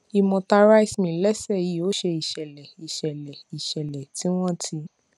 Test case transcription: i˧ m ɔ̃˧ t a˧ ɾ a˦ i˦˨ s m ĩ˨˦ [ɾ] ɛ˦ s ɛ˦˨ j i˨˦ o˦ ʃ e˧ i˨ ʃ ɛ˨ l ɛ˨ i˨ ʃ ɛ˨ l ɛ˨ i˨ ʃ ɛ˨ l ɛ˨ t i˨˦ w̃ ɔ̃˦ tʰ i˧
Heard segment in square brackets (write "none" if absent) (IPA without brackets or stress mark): l